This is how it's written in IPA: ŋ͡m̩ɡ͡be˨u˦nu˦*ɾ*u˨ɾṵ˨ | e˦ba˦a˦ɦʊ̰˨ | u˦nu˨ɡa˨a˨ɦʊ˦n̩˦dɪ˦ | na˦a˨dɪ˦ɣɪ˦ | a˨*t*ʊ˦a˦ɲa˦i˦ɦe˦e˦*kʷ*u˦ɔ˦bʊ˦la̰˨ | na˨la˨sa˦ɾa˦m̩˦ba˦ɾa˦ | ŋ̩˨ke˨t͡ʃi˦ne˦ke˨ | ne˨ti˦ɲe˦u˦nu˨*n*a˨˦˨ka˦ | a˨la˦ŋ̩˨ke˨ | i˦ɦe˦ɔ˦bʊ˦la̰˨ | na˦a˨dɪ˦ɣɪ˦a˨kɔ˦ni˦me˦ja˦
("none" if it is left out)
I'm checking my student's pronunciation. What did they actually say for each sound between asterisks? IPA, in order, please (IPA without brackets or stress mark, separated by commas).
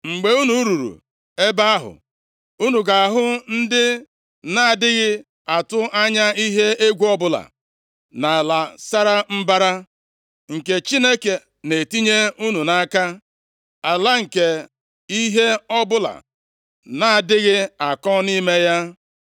ɾ, t, ɡʷ, n